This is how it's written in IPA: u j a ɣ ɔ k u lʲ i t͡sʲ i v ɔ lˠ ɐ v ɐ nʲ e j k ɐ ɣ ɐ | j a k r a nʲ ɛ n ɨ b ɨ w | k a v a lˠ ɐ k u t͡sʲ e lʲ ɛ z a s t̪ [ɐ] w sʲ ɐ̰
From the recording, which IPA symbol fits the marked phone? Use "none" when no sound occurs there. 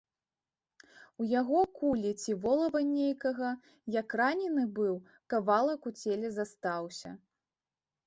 a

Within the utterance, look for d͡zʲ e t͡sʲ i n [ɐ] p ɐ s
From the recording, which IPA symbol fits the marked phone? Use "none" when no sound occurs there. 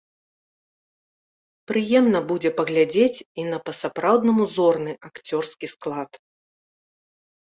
ɐ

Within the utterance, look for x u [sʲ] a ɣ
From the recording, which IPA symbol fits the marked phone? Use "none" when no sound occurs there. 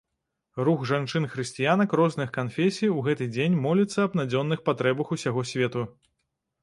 sʲ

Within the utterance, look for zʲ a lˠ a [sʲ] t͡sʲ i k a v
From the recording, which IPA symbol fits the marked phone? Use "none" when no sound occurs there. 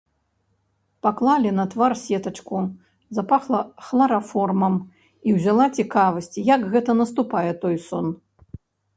none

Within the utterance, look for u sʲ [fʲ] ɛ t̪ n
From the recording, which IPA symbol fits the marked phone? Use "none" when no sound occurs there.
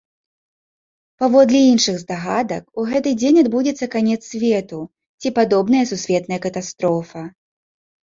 vʲ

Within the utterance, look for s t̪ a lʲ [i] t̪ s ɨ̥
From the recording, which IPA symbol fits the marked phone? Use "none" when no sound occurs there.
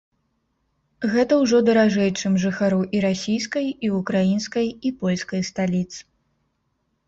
i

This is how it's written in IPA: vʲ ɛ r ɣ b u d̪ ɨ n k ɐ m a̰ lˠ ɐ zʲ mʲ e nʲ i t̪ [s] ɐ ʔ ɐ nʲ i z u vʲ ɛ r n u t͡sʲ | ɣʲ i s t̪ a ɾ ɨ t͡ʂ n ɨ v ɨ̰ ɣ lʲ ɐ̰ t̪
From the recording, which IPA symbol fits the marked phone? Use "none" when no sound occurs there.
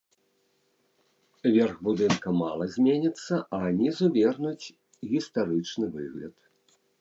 sː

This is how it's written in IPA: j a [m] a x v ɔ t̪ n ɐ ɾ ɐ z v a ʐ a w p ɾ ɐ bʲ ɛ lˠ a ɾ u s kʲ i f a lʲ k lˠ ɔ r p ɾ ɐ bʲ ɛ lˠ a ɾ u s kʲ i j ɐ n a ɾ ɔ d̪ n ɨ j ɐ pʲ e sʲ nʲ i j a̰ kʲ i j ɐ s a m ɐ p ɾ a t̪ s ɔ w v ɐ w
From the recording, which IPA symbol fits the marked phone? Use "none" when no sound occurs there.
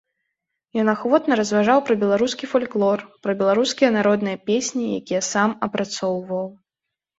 n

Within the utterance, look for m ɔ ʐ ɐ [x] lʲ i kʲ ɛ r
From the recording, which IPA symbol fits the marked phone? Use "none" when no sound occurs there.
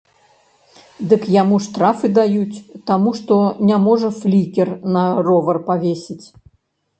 f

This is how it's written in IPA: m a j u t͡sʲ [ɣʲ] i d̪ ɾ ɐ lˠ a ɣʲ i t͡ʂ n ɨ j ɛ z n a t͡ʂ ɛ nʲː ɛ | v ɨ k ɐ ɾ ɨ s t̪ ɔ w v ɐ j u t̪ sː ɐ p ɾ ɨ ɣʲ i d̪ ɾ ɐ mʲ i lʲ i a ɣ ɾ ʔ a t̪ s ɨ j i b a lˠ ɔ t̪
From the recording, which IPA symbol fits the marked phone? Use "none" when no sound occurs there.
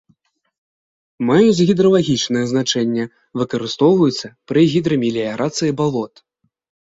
ɣʲ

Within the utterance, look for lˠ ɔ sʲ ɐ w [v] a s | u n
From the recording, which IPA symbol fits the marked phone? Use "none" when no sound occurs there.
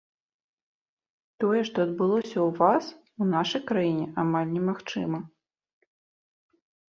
v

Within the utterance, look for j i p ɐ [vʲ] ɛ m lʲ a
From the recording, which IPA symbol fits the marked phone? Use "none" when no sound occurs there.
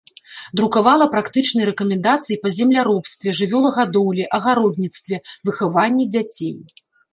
zʲ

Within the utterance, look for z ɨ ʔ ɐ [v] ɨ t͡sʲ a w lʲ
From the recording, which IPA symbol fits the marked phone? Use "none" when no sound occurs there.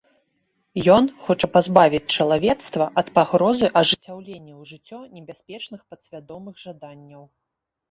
ʐ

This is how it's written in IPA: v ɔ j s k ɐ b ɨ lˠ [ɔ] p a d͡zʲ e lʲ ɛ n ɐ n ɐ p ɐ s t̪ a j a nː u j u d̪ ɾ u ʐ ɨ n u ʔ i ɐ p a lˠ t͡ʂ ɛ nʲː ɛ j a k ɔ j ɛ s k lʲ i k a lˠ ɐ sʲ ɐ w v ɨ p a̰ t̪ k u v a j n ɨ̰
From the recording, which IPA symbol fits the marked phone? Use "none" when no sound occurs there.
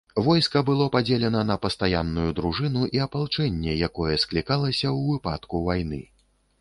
ɔ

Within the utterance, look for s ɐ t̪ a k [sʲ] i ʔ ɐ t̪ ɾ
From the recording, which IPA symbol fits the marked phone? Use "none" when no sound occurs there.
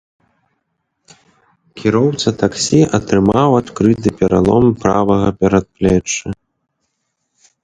sʲ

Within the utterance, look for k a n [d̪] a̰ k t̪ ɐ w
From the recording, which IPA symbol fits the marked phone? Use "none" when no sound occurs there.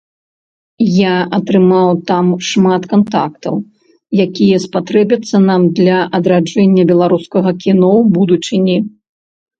t̪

